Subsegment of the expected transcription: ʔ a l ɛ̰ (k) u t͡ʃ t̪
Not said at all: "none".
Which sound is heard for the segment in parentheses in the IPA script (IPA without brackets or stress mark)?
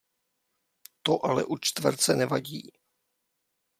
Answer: ʔ